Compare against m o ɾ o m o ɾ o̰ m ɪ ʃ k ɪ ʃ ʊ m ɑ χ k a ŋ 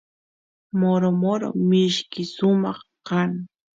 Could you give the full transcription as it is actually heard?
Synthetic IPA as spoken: m o ɾ o m o ɾ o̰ m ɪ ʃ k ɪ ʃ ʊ m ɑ χ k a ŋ